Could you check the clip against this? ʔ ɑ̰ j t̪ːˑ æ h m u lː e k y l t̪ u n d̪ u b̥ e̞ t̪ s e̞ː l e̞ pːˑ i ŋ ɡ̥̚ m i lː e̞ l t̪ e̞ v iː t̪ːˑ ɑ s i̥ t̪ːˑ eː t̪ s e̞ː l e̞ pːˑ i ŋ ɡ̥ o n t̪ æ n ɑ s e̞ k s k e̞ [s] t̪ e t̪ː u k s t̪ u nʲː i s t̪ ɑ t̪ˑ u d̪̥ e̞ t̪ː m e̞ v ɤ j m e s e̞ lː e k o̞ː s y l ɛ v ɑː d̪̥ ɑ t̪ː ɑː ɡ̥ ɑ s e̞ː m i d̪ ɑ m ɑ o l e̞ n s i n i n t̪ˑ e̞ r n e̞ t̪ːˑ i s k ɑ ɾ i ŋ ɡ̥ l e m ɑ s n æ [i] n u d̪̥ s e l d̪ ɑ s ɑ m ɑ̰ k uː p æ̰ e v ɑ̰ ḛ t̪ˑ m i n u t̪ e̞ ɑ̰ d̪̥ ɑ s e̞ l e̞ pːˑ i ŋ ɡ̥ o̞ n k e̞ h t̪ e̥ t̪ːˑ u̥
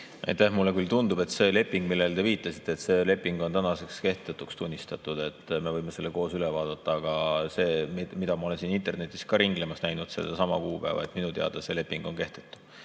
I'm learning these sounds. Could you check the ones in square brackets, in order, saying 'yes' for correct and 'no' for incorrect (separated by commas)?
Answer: no, no